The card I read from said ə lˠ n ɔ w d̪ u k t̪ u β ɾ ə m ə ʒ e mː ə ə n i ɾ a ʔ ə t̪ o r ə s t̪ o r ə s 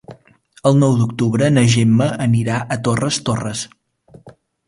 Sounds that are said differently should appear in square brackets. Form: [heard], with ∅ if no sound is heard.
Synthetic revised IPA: ə lˠ n ɔ w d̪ u k t̪ u β ɾ ə [n] ə ʒ e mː ə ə n i ɾ a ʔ ə t̪ o r ə s t̪ o r ə s